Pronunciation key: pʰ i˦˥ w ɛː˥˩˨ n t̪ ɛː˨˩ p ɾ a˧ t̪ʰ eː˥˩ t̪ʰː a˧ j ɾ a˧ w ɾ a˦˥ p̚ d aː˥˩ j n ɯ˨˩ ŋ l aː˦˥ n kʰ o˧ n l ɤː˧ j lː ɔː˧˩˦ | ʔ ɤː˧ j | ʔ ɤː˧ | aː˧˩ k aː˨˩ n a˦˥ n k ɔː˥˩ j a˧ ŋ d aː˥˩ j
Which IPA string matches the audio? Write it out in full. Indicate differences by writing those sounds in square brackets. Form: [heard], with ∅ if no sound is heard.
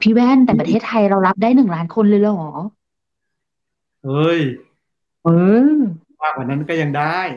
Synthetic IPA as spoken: pʰ i˦˥ w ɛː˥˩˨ n t̪ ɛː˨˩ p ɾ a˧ t̪ʰ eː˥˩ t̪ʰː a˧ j ɾ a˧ w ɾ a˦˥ p̚ d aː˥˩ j n ɯ˨˩ ŋ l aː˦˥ n kʰ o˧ n l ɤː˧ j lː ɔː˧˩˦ | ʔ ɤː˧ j | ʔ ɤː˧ | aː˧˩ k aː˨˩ n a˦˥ n k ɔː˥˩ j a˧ ŋ d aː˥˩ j